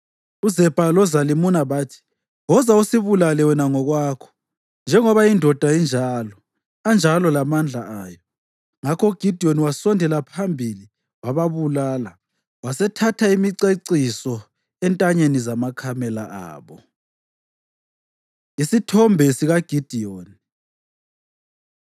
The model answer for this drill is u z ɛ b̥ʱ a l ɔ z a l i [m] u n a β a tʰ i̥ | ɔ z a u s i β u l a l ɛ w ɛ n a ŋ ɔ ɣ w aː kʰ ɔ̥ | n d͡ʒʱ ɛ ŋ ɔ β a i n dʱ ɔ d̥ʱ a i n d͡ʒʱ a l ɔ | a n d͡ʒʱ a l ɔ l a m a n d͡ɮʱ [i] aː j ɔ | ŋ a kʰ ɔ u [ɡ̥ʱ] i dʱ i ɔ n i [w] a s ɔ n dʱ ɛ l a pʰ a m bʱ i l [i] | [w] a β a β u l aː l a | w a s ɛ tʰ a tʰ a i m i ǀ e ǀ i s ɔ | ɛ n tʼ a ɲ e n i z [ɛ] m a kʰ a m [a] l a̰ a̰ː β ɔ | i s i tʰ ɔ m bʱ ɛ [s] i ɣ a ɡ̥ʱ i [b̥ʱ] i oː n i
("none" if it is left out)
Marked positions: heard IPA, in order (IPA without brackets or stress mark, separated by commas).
m, a, ɡ̥ʱ, w, i, w, a, ɛ, s, d̥ʱ